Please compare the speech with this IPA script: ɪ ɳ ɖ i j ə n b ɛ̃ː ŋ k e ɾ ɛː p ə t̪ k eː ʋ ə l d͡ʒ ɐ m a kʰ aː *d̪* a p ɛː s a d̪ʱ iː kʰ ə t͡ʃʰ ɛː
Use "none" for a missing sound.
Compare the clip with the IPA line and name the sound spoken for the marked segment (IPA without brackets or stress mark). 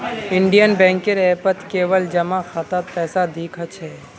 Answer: t̪